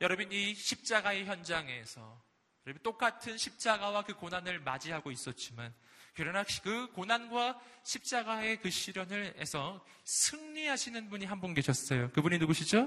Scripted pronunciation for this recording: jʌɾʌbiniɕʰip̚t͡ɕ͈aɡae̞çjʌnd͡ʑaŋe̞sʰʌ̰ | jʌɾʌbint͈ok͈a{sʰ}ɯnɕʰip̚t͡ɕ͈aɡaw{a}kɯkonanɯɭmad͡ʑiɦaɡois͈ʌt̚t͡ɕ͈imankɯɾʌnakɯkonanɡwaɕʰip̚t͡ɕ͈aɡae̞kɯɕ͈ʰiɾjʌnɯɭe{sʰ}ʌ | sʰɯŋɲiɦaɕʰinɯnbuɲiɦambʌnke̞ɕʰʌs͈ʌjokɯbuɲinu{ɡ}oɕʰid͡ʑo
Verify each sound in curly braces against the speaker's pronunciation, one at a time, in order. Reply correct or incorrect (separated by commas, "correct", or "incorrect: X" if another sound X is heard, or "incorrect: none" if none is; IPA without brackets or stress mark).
incorrect: tʰ, correct, correct, correct